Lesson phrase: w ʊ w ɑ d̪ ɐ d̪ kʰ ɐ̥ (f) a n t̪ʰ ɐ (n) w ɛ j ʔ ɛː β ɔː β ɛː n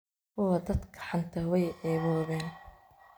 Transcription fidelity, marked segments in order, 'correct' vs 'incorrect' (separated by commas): incorrect, incorrect